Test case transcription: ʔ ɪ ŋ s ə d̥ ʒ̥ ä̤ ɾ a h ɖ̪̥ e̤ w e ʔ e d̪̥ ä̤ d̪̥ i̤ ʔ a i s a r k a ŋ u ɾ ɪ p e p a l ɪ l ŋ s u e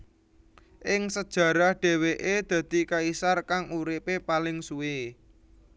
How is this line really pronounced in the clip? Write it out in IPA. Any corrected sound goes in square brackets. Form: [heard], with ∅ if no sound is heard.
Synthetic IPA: ʔ ɪ ŋ s ə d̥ ʒ̥ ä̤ ɾ a h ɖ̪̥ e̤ w e ʔ e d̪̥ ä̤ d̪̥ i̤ [k] a i s a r k a ŋ u ɾ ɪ p e p a l ɪ [∅] ŋ s u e